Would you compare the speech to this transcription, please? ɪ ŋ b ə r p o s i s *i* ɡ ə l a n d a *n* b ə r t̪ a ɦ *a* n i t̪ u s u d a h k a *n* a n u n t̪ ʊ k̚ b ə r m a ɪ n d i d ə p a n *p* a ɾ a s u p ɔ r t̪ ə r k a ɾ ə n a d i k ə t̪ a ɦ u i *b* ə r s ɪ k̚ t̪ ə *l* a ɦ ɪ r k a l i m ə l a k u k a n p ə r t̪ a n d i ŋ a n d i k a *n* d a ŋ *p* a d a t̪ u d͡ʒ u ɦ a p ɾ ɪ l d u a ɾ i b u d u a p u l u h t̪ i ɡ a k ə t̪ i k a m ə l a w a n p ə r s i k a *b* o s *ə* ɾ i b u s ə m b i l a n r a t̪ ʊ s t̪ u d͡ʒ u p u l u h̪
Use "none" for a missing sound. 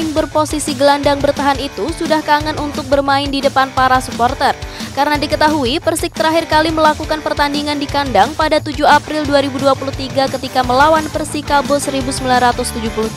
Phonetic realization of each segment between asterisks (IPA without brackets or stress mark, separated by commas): i, ŋ, a, ŋ, p, p, ɾ, n, p, b, ə